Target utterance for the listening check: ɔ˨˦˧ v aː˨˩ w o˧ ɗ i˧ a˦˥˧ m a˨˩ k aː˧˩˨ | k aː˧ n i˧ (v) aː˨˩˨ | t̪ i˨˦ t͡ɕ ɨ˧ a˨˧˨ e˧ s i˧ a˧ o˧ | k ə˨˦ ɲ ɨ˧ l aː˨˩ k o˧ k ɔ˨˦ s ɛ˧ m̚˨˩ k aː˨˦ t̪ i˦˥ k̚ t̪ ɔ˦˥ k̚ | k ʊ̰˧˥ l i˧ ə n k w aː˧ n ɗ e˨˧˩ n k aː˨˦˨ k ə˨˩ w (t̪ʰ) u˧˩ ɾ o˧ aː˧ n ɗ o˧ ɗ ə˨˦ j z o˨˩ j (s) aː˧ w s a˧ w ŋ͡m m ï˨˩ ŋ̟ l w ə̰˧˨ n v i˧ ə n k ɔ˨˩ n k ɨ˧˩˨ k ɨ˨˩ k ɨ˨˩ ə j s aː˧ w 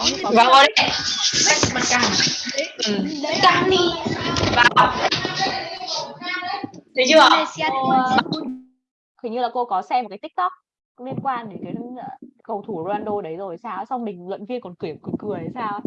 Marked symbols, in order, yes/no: yes, yes, yes

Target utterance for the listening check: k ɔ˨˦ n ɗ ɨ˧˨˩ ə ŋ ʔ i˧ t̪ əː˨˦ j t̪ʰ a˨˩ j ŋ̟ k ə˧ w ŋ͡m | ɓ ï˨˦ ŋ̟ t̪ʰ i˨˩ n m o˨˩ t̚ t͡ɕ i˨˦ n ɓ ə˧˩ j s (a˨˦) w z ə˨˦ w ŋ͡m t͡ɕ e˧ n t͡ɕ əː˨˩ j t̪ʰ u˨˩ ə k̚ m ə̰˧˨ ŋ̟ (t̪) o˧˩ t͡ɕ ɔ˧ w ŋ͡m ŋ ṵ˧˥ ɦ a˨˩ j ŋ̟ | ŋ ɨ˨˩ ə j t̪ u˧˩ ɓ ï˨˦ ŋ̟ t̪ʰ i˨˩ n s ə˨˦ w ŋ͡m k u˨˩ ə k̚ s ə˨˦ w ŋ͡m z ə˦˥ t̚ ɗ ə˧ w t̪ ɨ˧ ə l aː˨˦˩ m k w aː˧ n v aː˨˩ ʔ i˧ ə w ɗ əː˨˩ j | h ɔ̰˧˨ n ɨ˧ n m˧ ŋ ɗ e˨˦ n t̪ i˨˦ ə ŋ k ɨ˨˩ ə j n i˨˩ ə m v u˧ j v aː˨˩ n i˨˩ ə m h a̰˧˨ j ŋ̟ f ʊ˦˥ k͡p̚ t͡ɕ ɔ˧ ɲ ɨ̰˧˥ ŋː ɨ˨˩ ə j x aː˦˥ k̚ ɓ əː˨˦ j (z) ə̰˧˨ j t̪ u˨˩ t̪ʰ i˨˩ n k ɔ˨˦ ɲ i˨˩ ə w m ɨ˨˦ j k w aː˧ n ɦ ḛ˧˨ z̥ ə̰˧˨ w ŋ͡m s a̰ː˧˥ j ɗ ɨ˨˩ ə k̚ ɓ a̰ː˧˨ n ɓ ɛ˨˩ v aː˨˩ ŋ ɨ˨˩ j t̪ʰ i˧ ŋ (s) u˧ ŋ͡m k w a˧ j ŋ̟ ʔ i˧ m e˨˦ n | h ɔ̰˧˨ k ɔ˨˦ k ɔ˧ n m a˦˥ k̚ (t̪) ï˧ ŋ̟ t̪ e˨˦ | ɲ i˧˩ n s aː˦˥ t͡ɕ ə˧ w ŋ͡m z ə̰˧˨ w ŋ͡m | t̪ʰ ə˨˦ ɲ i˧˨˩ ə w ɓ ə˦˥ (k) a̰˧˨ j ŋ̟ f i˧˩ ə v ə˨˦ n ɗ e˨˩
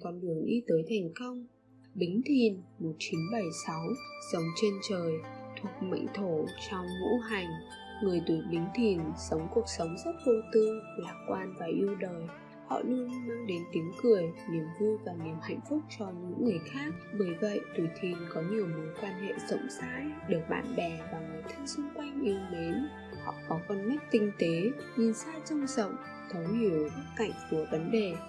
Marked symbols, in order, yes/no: yes, no, no, yes, yes, yes

